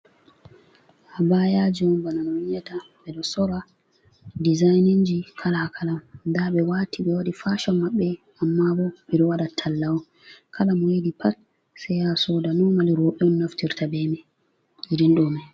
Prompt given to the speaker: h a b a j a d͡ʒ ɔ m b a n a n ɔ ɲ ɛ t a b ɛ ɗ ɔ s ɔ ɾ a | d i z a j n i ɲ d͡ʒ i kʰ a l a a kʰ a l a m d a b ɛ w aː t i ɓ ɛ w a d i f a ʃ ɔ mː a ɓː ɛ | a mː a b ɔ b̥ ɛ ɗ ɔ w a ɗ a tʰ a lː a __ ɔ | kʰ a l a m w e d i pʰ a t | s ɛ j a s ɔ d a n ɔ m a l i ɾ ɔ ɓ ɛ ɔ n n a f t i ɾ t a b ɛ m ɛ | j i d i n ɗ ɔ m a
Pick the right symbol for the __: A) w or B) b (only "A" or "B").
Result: A